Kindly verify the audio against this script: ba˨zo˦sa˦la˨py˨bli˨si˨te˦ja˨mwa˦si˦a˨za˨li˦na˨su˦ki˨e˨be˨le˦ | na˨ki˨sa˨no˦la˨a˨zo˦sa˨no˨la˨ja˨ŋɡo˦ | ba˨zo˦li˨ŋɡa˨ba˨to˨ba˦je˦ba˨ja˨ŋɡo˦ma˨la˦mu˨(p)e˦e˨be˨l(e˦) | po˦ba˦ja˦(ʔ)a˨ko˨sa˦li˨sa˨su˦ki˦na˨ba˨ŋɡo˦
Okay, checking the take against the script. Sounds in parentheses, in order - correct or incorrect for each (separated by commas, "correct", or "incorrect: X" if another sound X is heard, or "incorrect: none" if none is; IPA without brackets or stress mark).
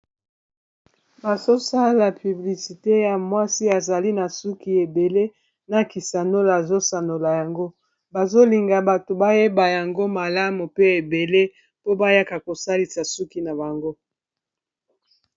correct, correct, incorrect: k